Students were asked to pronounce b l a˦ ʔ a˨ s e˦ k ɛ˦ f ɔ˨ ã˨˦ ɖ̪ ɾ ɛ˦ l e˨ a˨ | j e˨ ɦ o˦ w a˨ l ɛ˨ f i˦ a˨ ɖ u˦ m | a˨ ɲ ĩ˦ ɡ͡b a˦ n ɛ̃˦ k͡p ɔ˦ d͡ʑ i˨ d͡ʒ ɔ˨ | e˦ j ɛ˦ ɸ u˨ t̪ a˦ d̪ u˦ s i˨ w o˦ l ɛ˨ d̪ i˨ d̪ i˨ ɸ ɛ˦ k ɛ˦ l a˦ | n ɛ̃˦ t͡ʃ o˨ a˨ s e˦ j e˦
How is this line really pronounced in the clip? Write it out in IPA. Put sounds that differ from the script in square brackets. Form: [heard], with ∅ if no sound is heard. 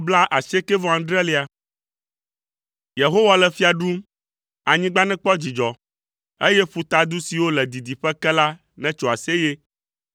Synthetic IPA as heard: b l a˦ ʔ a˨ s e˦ k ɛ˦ [v] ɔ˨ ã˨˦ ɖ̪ ɾ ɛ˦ l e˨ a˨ | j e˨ ɦ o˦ w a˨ l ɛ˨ f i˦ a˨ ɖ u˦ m | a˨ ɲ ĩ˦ ɡ͡b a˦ n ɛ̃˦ k͡p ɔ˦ d͡ʑ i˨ d͡ʒ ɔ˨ | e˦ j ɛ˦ ɸ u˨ t̪ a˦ d̪ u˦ s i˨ w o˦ l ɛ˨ d̪ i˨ d̪ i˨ ɸ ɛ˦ k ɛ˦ l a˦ | n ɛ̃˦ t͡ʃ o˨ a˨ s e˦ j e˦